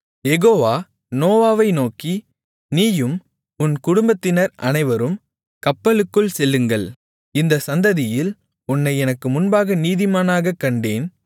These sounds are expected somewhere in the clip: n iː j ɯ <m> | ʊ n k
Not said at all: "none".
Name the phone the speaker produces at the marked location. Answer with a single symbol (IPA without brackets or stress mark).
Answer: m